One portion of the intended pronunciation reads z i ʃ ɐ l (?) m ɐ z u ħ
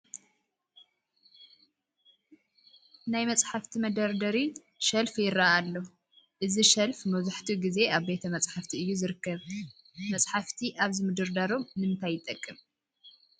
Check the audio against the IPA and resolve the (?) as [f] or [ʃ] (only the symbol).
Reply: f